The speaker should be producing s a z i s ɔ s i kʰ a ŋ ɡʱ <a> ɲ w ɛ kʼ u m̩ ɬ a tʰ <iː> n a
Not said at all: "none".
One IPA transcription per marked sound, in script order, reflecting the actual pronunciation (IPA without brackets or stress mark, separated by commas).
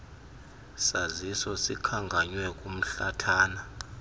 a, aː